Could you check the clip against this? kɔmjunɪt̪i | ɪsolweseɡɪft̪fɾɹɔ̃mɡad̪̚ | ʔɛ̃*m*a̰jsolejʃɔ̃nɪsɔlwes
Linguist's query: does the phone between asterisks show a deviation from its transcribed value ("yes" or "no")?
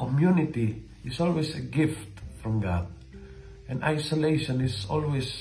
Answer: yes